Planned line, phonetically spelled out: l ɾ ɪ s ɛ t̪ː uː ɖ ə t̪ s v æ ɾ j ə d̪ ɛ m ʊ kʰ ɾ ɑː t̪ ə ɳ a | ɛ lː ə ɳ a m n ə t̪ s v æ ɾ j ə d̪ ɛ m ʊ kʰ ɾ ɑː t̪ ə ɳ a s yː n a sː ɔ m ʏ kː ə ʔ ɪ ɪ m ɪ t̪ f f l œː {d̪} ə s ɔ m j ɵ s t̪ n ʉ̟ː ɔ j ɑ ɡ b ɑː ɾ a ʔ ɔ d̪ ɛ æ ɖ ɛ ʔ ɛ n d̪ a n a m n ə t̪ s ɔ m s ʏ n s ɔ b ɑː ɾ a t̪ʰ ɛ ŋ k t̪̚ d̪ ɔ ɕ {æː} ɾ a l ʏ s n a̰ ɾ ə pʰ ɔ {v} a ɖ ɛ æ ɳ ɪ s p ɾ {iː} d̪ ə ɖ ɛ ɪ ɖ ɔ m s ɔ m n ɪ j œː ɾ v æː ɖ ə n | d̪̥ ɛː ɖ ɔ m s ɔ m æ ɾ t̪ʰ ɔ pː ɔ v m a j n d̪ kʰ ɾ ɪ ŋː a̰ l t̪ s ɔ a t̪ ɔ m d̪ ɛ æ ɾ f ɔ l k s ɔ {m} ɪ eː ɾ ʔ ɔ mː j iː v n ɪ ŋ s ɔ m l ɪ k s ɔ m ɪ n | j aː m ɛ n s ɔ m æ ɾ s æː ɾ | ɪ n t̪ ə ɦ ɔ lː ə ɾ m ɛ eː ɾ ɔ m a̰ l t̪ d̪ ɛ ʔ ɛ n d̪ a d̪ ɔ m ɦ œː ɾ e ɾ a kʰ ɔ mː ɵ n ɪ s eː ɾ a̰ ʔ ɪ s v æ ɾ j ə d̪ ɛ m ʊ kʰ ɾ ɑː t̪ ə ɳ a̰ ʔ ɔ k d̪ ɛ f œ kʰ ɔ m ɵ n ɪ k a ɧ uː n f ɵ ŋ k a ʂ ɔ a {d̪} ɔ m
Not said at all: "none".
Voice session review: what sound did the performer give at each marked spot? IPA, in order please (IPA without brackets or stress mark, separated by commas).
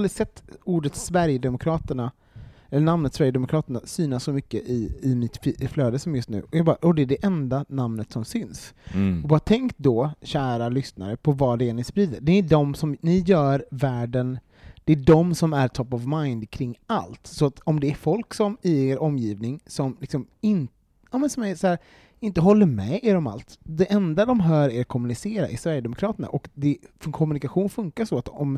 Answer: d̪, æː, v, iː, m, t̪